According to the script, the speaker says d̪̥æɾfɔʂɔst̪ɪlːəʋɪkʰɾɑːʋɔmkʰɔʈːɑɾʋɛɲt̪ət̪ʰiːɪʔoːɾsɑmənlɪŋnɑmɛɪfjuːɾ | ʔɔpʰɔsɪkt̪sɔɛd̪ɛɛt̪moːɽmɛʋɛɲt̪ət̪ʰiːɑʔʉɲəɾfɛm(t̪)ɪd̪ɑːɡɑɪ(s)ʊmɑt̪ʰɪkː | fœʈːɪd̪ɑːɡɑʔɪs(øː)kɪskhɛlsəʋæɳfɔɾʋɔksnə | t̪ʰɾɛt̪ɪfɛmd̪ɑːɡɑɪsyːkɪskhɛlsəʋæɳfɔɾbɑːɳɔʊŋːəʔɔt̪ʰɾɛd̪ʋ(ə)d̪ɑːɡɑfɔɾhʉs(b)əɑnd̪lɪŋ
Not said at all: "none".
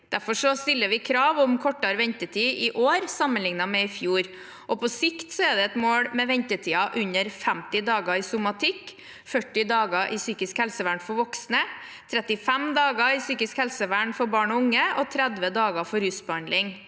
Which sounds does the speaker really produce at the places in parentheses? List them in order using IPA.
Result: t̪, s, yː, ə, b

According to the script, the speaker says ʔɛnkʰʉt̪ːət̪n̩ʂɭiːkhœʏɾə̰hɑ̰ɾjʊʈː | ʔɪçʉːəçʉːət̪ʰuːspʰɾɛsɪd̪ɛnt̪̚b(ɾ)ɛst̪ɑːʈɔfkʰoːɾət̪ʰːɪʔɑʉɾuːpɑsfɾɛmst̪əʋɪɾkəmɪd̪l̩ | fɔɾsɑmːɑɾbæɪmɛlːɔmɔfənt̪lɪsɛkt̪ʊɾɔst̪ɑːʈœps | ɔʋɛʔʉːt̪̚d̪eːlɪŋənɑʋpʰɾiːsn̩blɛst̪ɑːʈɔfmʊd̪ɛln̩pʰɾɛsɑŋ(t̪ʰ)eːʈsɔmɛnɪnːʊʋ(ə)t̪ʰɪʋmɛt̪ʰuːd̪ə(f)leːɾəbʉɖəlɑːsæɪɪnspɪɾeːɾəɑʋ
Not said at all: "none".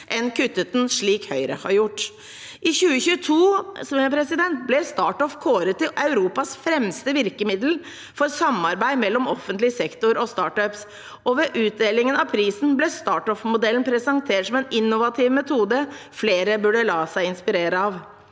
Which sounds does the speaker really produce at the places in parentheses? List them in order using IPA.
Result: l, t̪ʰ, ɑ, f

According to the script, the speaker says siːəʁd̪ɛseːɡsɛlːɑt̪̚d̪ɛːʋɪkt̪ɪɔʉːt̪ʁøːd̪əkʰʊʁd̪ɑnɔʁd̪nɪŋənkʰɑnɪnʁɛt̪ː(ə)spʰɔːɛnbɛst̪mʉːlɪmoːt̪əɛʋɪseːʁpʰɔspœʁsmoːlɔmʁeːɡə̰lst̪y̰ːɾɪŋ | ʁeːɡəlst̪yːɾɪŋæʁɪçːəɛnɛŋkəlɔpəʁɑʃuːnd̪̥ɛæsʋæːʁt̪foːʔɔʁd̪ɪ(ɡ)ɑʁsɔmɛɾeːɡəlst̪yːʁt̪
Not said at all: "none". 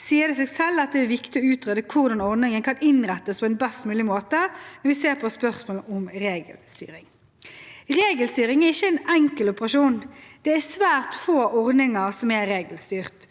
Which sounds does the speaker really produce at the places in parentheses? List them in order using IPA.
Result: ə, ŋ

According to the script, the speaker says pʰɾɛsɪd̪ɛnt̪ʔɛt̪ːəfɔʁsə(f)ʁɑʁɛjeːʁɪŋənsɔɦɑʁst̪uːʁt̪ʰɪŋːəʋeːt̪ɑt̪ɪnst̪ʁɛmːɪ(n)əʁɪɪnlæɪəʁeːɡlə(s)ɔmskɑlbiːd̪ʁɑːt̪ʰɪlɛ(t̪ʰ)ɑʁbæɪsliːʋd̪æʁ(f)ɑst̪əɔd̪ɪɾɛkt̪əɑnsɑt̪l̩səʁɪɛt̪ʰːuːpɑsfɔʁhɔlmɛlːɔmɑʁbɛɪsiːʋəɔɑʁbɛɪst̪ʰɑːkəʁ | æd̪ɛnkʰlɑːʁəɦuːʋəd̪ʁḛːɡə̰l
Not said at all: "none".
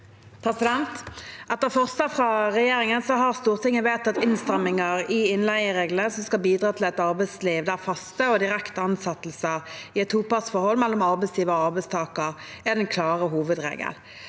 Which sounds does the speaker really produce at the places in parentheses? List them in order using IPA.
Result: f, ŋ, s, t̪, f

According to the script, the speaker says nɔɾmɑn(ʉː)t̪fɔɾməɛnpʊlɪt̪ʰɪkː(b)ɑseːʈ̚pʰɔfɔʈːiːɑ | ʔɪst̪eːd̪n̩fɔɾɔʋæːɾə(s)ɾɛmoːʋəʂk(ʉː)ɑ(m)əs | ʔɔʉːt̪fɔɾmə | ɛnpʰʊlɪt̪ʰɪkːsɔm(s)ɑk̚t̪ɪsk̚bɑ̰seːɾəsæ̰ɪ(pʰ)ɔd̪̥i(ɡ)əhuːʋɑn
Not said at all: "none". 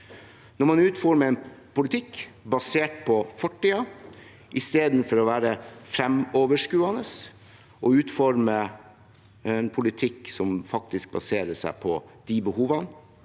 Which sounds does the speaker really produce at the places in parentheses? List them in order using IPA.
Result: ʉː, b, f, ʉː, n, f, pʰ, b

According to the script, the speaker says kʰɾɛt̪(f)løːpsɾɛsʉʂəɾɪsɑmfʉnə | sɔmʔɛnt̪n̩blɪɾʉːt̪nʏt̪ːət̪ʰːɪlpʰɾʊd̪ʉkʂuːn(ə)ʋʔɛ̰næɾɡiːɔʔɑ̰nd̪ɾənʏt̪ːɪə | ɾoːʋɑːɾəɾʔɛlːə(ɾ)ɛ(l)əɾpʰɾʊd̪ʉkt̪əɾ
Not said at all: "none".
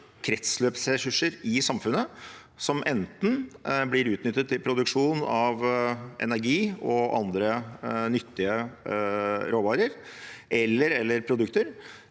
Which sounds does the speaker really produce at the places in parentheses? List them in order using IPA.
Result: s, ɑ, ɾ, lː

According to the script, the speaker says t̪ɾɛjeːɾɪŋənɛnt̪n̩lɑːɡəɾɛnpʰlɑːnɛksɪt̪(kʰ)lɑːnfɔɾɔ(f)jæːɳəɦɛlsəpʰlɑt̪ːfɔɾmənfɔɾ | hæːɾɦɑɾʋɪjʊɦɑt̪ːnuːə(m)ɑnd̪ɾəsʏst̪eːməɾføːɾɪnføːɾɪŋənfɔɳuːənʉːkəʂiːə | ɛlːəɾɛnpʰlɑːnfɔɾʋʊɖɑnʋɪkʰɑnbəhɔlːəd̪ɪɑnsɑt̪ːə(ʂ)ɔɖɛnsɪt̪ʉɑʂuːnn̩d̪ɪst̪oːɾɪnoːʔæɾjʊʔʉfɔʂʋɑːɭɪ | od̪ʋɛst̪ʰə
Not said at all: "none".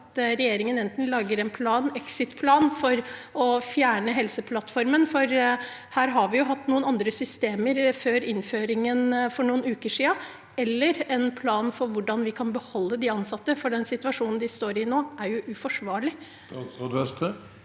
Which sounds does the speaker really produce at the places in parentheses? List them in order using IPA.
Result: pʰ, f, n, f

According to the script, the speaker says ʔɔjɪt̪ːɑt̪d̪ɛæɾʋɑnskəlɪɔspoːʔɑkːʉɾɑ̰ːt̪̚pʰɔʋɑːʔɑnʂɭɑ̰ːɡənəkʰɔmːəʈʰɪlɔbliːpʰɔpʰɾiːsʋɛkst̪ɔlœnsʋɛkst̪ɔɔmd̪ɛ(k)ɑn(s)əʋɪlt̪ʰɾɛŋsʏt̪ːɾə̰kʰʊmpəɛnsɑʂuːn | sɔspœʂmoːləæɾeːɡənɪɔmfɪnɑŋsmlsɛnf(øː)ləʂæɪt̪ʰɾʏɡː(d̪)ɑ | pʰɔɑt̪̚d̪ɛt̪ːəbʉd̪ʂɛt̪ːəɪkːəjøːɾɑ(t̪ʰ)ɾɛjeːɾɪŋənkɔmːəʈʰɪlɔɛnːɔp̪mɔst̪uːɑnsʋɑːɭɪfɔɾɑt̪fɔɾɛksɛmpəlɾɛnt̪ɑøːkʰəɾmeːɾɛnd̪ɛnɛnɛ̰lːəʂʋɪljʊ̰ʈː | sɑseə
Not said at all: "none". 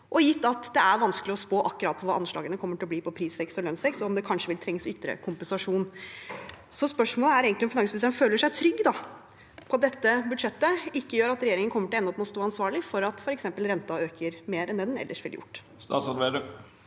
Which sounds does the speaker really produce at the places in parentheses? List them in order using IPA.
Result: kʰ, ʂ, øː, d̪, t̪

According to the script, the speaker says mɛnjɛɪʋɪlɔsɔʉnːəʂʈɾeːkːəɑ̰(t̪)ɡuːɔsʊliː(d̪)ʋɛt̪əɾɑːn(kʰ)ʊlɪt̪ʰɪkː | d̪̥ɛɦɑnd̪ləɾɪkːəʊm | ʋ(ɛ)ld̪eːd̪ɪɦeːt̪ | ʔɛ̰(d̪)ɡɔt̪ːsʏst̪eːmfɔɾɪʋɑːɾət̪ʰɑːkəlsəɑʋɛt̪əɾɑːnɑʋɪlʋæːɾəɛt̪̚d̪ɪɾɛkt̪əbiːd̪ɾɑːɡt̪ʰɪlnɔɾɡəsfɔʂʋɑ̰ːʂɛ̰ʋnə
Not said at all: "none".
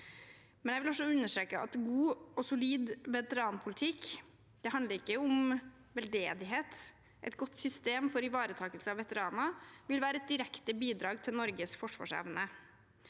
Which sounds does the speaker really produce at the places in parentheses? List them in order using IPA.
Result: t̪, d̪, pʰ, ɛ, t̪

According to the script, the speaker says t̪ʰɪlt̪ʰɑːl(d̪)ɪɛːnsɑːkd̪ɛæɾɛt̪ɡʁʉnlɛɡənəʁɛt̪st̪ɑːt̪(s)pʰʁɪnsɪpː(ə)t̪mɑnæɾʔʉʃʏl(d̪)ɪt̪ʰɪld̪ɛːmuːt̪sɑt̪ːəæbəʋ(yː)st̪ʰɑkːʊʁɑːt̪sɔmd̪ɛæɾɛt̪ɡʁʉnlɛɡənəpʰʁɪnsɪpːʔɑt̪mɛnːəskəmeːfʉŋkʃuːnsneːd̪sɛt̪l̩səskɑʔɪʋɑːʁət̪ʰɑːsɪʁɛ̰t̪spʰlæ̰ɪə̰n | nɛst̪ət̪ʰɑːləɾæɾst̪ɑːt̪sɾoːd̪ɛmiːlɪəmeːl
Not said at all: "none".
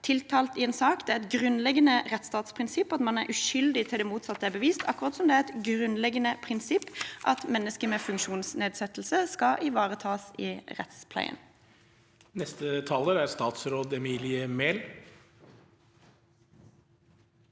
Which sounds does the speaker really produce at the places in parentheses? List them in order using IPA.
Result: t̪, s, ɑ, d̪, iː

